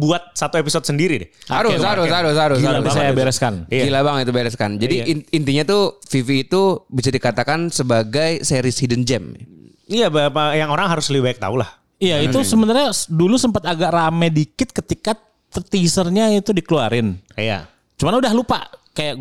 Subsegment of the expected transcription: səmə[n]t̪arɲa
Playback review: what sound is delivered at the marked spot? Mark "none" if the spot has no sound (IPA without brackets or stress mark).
n